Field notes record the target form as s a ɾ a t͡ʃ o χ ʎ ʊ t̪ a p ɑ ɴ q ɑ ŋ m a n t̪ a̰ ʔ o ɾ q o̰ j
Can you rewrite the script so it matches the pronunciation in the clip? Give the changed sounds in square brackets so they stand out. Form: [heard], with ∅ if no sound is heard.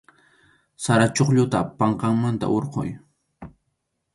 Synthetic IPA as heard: s a ɾ a t͡ʃ o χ ʎ ʊ t̪ a p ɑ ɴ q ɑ ŋ m a n t̪ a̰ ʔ o ɾ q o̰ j

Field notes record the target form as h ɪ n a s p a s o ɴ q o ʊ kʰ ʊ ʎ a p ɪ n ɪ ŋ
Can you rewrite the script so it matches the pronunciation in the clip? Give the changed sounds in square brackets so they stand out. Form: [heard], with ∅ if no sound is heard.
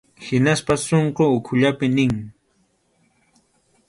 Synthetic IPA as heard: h ɪ n a s p a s o ɴ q o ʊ kʰ ʊ ʎ a p ɪ n ɪ ŋ

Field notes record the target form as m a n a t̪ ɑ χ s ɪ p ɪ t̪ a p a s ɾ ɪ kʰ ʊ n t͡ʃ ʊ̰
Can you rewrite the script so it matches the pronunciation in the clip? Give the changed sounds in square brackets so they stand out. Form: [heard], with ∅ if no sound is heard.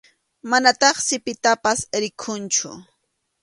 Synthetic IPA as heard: m a n a t̪ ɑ χ s ɪ p ɪ t̪ a p a s ɾ ɪ kʰ ʊ n t͡ʃ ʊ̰

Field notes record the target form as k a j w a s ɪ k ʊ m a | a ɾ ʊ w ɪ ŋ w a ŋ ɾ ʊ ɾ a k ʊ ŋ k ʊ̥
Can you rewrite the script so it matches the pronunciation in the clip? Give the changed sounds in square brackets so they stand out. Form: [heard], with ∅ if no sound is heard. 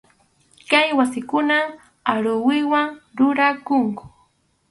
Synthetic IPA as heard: k a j w a s ɪ k ʊ [n] a | a ɾ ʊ w ɪ [∅] w a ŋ ɾ ʊ ɾ a k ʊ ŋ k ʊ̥

